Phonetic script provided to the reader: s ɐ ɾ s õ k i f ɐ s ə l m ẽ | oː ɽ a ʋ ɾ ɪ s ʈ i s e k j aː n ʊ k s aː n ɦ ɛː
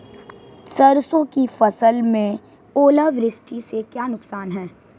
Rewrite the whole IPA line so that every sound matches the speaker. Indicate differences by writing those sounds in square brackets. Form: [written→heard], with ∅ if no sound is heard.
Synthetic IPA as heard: s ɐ ɾ s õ k i f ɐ s ə l m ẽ | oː [ɽ→l] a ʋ ɾ ɪ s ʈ i s e k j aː n ʊ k s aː n ɦ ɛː